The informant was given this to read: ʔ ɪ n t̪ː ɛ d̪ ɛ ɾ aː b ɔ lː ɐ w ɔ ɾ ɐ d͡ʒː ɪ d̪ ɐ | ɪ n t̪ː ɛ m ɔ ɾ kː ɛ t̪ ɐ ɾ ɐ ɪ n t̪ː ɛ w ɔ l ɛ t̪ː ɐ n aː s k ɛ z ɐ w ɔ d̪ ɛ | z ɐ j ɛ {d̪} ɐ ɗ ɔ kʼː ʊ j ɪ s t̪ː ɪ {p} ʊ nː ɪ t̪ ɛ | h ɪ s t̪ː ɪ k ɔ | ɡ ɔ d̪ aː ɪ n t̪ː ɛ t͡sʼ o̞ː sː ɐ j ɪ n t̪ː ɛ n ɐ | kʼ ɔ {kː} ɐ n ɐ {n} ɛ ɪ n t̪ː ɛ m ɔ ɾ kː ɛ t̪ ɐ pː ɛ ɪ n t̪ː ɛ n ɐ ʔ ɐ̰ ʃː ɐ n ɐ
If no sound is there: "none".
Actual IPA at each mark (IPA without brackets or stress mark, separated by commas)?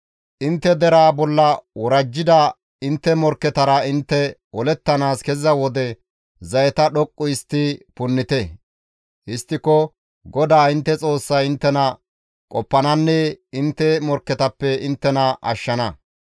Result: t̪, p, pː, nː